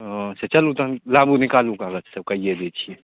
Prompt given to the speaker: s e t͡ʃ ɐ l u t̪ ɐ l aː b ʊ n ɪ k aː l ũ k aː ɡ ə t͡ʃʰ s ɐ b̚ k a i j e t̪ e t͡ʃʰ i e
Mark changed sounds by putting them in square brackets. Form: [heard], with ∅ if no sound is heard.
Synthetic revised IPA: s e t͡ʃ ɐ l u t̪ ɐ l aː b [u] n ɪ k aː l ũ k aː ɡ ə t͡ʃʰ s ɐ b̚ k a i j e [d̪] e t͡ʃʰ i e

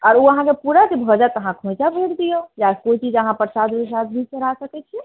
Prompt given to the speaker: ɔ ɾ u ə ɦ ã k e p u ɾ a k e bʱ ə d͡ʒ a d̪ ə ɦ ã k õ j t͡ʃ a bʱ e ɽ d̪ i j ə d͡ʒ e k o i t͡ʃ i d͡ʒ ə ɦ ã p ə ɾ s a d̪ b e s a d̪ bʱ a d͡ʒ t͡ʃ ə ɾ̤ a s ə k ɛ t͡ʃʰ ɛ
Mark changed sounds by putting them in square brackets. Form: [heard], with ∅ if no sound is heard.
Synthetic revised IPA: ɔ ɾ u ə ɦ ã k e p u ɾ a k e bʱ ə d͡ʒ a [t̪] ə ɦ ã [kʰ] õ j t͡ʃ a bʱ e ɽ d̪ i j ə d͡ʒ [a] k o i t͡ʃ i d͡ʒ ə ɦ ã p ə ɾ s a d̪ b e s a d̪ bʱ [i] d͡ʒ t͡ʃ ə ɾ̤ a s ə k ɛ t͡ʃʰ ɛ

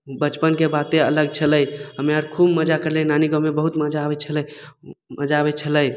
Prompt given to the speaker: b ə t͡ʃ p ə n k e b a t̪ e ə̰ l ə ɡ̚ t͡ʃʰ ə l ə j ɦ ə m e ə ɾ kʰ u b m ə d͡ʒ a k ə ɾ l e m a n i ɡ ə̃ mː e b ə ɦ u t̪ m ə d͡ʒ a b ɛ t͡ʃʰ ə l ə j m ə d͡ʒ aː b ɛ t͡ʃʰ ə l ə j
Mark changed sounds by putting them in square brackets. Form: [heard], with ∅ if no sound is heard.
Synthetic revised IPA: b ə t͡ʃ p ə n k e b a t̪ e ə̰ l ə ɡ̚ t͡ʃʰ ə l ə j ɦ ə m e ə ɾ kʰ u b m ə d͡ʒ a k ə ɾ l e [n] a n i ɡ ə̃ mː e b ə ɦ u t̪ m ə d͡ʒ a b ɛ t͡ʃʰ ə l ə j m ə d͡ʒ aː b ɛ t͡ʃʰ ə l ə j

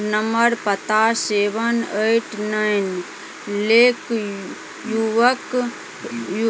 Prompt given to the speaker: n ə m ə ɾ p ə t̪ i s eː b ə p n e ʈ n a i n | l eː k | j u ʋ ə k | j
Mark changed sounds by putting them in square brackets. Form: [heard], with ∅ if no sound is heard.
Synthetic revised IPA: n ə m ə ɾ p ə t̪ [a] s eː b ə [∅] n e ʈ n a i n | l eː k | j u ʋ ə k | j

